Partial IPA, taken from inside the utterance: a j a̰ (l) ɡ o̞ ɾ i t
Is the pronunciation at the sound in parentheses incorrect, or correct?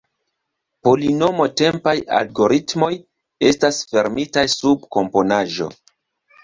correct